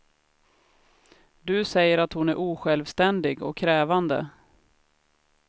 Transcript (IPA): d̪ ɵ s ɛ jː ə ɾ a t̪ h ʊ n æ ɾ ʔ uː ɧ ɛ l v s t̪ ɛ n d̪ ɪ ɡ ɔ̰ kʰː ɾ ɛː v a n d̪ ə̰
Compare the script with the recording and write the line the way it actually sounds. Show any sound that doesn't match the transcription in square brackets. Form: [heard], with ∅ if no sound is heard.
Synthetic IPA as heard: d̪ ɵ s ɛ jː ə ɾ a t̪ h ʊ n æ ɾ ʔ uː ɧ ɛ l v s t̪ ɛ n d̪ ɪ ɡ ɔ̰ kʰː ɾ ɛː v a n d̪ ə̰